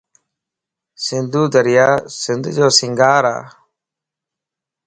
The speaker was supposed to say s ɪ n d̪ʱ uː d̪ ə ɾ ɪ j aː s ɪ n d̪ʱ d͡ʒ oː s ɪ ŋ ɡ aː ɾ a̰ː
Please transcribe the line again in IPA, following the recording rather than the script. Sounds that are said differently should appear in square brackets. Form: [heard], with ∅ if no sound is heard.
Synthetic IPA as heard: s ɪ n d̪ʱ uː d̪ ə ɾ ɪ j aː s ɪ n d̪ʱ d͡ʒ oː s ɪ ŋ ɡ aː ɾ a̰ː